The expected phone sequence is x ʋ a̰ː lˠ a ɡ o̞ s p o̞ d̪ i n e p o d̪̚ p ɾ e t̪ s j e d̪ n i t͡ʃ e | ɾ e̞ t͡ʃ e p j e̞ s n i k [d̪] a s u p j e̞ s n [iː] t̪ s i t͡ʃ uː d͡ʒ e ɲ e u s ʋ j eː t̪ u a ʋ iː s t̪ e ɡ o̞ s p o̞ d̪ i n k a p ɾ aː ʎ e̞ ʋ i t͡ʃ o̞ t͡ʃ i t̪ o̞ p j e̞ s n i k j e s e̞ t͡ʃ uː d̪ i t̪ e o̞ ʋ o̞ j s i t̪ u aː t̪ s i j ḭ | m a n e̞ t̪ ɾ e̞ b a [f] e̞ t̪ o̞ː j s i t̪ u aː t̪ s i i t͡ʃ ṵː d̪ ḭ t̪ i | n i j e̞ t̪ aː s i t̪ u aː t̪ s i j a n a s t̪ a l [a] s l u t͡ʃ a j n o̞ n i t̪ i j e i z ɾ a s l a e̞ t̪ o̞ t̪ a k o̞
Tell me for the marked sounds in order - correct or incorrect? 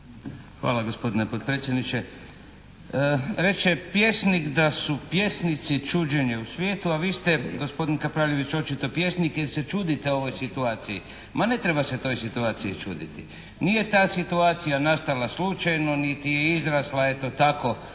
correct, incorrect: i, incorrect: s, correct

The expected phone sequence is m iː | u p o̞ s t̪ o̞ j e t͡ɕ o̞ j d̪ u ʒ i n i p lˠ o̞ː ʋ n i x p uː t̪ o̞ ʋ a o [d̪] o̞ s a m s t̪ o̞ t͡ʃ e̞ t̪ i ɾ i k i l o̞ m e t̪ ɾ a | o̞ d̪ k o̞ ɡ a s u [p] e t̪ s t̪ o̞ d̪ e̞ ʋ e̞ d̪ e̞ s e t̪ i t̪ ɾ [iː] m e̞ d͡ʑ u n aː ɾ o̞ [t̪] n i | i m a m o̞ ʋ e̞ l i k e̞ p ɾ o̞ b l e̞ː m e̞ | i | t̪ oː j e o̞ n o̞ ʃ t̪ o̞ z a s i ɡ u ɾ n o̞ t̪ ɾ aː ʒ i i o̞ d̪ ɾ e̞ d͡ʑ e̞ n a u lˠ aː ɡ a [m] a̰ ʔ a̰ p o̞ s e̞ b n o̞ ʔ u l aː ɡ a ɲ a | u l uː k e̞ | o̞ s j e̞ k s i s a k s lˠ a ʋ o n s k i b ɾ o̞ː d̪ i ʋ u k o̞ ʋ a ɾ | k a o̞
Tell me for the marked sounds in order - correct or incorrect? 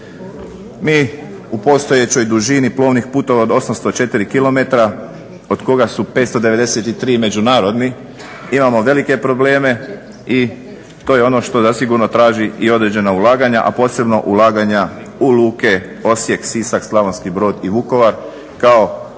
correct, correct, correct, incorrect: d̪, incorrect: ɲ

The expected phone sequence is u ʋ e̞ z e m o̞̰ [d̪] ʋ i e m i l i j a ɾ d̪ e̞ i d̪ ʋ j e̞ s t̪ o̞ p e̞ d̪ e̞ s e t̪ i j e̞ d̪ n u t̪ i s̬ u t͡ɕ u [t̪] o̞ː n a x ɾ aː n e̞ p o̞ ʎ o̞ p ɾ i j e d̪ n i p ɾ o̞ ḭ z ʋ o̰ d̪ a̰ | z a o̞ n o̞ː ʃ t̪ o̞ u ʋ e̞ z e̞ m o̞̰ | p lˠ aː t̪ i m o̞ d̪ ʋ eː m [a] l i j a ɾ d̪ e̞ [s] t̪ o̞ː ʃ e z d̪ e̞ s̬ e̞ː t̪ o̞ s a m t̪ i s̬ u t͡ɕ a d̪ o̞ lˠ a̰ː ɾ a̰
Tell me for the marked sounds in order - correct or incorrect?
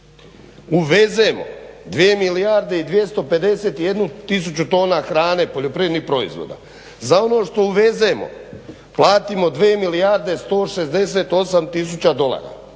correct, correct, incorrect: i, correct

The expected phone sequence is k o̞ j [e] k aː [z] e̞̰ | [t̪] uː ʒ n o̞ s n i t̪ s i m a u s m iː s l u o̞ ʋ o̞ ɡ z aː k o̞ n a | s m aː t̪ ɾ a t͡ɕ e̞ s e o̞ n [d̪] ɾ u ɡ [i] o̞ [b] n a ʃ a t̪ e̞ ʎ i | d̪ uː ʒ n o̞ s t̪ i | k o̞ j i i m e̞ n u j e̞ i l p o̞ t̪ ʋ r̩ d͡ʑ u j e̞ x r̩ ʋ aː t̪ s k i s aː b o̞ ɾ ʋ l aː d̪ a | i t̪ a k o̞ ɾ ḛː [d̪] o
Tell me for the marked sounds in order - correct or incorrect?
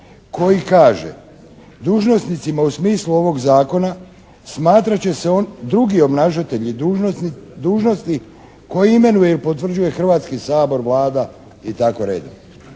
incorrect: i, incorrect: ʒ, incorrect: d̪, correct, correct, correct, correct

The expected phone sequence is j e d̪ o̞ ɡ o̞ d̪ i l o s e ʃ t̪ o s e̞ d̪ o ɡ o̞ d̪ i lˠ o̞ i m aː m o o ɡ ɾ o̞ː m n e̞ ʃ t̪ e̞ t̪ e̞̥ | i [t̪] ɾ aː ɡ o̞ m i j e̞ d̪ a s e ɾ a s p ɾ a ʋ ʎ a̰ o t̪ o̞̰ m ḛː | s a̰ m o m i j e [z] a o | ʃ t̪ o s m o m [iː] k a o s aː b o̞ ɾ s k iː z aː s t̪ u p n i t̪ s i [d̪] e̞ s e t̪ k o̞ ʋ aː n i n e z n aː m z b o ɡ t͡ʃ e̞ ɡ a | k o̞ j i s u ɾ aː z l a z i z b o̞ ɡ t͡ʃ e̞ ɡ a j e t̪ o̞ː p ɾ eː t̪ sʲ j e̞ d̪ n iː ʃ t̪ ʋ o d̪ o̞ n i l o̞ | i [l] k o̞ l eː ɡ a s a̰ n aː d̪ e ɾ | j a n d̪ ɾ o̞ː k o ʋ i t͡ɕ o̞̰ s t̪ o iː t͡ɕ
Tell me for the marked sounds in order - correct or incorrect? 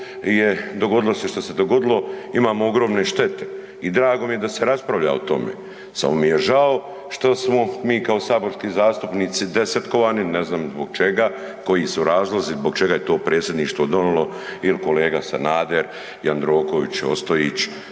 incorrect: d̪, incorrect: ʒ, correct, correct, correct

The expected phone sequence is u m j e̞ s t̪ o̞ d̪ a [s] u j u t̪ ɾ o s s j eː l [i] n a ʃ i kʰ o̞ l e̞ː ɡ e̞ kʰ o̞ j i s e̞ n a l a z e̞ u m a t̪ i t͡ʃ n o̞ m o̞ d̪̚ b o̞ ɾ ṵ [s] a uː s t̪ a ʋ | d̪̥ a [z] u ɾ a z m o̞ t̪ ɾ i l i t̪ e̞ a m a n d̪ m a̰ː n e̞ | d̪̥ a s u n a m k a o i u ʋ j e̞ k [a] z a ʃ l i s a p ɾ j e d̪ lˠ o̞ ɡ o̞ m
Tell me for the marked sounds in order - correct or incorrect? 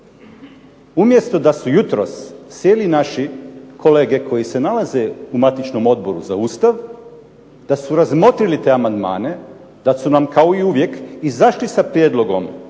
correct, correct, incorrect: z, incorrect: s, incorrect: i

